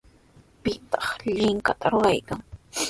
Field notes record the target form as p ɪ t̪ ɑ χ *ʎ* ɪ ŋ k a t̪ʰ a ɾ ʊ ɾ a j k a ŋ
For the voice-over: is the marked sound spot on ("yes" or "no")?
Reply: yes